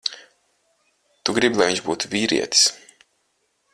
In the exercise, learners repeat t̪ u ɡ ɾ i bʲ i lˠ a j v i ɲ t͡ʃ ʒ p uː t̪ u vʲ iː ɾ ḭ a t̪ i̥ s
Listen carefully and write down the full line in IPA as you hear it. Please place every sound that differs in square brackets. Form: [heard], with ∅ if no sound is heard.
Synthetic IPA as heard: t̪ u ɡ ɾ i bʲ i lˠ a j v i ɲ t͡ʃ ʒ [b] uː t̪ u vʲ iː ɾ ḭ [ɛ] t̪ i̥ s